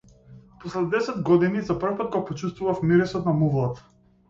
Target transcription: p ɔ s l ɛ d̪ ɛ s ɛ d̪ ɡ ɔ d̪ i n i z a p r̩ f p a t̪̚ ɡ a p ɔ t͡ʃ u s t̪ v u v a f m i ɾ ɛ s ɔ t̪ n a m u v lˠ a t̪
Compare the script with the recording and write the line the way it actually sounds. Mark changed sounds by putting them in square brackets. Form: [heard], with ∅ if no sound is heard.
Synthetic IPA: p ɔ s l ɛ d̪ ɛ s ɛ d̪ ɡ ɔ d̪ i n i z a p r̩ f p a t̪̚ ɡ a p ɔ t͡ʃ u s t̪ v u v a f m i ɾ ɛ s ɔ t̪ n a m u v lˠ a t̪